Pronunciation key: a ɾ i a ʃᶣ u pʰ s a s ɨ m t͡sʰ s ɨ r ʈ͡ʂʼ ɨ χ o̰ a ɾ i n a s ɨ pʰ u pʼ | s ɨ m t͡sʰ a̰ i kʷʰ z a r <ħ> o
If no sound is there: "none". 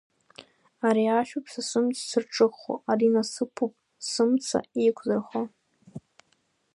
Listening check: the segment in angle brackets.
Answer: χ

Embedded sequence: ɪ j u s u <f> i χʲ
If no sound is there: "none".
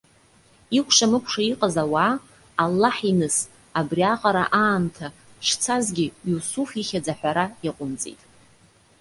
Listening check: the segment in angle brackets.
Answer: f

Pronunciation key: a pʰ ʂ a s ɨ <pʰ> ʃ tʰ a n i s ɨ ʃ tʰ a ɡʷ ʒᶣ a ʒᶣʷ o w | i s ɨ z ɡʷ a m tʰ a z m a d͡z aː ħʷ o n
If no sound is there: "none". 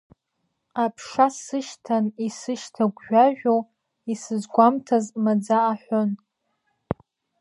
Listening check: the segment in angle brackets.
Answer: none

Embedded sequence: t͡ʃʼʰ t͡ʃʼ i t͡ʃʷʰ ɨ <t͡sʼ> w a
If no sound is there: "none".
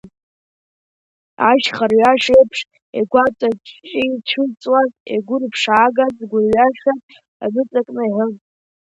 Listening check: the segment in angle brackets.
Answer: t͡sʼ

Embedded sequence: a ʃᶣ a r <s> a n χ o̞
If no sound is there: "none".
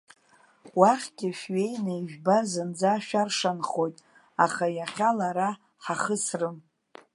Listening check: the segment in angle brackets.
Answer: ʂ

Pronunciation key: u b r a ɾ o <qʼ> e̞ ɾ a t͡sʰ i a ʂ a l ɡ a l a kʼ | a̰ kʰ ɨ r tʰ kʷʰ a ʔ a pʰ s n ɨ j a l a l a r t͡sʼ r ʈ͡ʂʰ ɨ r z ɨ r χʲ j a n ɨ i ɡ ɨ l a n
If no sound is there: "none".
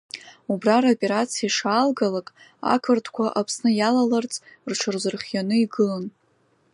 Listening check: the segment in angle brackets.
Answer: pʼ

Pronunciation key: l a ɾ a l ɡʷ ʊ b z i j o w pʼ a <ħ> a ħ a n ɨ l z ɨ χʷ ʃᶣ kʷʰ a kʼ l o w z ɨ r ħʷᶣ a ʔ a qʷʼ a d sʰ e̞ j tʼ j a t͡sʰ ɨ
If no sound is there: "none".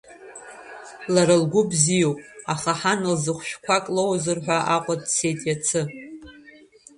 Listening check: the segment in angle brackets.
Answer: χ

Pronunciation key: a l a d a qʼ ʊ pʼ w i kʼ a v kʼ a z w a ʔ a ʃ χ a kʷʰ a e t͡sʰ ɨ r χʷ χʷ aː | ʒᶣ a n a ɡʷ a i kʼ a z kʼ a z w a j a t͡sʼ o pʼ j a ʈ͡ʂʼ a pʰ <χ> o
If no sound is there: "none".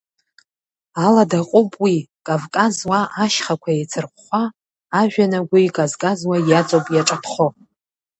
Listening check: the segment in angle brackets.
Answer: χ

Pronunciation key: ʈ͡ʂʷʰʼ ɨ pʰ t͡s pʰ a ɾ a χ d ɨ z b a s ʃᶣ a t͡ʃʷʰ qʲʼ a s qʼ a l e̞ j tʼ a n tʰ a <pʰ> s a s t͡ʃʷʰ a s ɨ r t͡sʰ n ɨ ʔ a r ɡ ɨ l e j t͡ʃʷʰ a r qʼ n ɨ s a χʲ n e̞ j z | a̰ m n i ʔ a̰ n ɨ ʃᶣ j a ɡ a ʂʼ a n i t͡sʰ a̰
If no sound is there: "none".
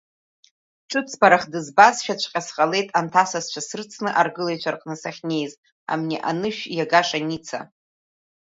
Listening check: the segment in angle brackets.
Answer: none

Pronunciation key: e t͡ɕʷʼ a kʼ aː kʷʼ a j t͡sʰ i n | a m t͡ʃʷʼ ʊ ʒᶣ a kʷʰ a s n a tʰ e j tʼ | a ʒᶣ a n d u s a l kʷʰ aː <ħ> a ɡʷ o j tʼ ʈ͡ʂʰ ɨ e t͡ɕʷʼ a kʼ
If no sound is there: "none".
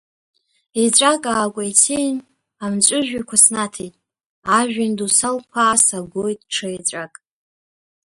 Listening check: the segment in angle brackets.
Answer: s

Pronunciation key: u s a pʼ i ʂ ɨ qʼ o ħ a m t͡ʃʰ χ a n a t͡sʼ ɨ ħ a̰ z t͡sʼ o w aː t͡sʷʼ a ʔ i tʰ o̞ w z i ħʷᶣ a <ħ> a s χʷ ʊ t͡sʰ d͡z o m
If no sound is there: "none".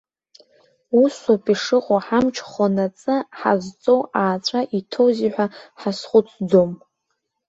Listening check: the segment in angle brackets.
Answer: ħ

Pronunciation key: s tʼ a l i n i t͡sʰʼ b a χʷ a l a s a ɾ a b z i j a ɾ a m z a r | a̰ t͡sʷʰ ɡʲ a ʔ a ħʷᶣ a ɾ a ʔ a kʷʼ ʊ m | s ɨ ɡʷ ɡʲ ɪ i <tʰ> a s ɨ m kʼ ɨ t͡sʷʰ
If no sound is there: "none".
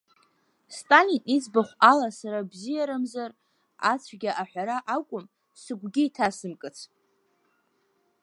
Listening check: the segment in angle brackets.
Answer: tʰ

